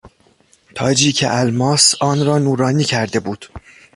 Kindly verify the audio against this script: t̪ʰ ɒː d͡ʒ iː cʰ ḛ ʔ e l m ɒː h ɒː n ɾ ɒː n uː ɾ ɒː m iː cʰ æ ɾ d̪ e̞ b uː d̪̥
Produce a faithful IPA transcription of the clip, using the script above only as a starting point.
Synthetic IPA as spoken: t̪ʰ ɒː d͡ʒ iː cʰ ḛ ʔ æ l m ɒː s ɒː n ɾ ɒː n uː ɾ ɒː n iː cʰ æ ɾ d̪ e̞ b uː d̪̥

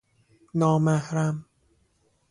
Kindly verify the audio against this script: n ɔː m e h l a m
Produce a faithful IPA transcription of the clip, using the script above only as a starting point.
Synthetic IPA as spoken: n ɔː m a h ɾ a m

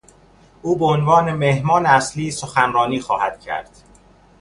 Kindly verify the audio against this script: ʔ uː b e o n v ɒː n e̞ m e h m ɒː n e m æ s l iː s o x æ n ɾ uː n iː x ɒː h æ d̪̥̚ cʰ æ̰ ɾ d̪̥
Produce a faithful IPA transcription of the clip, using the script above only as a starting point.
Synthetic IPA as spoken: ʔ uː b e o n v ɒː n e̞ m e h m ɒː n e æ s l iː s o x æ n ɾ ɒː n iː x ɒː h æ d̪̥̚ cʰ æ̰ ɾ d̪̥

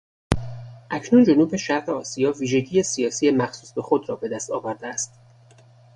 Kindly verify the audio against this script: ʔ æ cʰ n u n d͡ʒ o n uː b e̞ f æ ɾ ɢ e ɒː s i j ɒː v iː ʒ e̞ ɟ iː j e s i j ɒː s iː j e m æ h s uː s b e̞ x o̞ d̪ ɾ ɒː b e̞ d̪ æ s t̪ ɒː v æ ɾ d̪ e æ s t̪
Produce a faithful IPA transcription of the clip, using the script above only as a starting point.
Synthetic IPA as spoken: ʔ æ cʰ n u n d͡ʒ o n uː b e̞ ʃ æ ɾ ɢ e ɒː s i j ɒː v iː ʒ e̞ ɟ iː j e s i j ɒː s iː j e m æ x s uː s b e̞ x o̞ d̪ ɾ ɒː b e̞ d̪ æ s t̪ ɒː v æ ɾ d̪ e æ s t̪

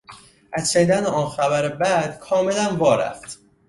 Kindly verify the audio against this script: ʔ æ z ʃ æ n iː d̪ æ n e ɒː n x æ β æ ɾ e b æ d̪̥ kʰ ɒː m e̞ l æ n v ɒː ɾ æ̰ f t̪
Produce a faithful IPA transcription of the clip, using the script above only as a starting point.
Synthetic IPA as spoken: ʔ æ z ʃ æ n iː d̪ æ n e ɒː n x æ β æ ɾ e b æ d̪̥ kʰ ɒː m e̞ l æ n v ɒː ɾ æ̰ f t̪

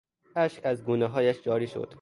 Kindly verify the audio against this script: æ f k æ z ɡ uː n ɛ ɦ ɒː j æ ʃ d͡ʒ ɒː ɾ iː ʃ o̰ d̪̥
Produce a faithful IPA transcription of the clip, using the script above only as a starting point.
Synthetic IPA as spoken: æ ʃ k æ z ɡ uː n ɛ ɦ ɒː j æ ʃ d͡ʒ ɒː ɾ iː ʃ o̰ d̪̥

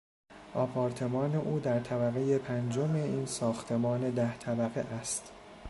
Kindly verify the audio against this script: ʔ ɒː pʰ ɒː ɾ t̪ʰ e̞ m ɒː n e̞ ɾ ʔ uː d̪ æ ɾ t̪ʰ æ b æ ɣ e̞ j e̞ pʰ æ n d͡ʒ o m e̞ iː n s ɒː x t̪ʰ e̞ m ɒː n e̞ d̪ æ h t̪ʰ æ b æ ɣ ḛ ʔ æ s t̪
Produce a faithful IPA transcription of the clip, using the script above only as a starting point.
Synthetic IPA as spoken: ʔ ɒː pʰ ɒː ɾ t̪ʰ e̞ m ɒː n e̞ ʔ uː d̪ æ ɾ t̪ʰ æ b æ ɣ e̞ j e̞ pʰ æ n d͡ʒ o m e̞ iː n s ɒː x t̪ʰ e̞ m ɒː n e̞ d̪ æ h t̪ʰ æ b æ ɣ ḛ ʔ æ s t̪

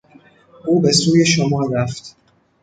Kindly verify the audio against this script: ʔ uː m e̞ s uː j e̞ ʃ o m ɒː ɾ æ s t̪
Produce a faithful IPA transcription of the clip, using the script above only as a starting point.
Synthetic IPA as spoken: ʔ uː b e̞ s uː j e̞ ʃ o m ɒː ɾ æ f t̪

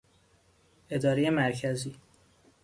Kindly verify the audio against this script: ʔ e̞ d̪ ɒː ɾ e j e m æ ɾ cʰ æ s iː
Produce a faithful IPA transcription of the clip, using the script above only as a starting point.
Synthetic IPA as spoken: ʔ e̞ d̪ ɒː ɾ e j e m æ ɾ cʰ æ z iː

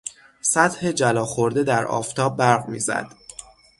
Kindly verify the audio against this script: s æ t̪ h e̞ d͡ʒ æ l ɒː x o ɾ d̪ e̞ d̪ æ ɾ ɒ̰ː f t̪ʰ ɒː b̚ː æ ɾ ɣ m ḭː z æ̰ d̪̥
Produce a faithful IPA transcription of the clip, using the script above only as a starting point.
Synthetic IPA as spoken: s æ t̪ h e̞ d͡ʒ æ l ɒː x o ɾ d̪ e̞ d̪ æ ɾ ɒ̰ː f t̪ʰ ɒː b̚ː æ ɾ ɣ m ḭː z æ̰ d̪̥

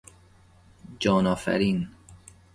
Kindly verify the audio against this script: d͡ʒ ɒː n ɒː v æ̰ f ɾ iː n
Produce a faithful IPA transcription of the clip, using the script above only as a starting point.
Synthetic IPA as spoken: d͡ʒ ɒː n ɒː f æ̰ ɾ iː n

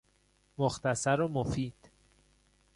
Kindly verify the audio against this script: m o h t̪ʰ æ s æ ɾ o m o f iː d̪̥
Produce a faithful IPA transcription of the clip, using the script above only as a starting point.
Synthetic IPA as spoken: m o x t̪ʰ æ s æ ɾ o m o f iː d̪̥

